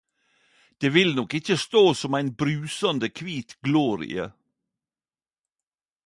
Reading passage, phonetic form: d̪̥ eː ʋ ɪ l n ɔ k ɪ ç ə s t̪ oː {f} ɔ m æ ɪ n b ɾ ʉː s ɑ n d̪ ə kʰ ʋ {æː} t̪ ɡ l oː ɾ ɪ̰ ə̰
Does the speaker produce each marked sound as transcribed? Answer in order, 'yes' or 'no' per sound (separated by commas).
no, no